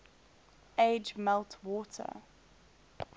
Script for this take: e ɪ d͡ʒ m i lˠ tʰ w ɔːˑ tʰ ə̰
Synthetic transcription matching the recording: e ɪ d͡ʒ m ɛ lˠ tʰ w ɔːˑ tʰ ə̰